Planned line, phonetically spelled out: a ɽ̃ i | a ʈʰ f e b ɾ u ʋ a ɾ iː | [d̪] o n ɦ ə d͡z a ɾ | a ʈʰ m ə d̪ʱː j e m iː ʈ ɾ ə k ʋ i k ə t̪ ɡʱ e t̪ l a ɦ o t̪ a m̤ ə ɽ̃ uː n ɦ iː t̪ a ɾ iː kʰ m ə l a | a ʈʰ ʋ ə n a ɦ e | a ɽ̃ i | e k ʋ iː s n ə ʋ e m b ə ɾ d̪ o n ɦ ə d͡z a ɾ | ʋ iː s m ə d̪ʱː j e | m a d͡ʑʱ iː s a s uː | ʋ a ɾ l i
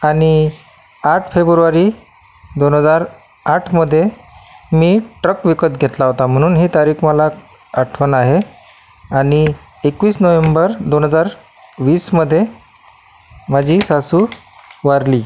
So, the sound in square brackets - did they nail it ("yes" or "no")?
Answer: yes